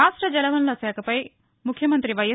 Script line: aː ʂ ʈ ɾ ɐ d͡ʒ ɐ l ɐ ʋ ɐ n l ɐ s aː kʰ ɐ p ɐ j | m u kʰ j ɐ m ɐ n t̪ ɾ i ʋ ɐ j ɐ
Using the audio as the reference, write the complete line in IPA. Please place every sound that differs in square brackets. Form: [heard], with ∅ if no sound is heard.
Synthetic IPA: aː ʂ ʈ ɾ ɐ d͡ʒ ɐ l ɐ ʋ ɐ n l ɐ s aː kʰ ɐ p ɐ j | m u kʰ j ɐ m ɐ n t̪ ɾ i ʋ ɐ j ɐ